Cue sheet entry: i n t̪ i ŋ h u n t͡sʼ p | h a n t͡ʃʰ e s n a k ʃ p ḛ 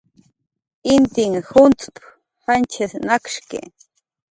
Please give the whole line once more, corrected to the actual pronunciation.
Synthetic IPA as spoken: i n t̪ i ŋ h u n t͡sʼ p | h a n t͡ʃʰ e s n a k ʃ k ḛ